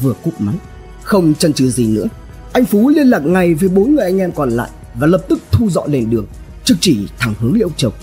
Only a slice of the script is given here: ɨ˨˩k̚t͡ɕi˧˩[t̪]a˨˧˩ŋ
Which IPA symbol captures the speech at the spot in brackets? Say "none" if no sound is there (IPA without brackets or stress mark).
t̪ʰ